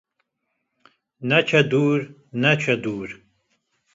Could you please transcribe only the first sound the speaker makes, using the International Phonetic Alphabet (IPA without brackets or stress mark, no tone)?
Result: n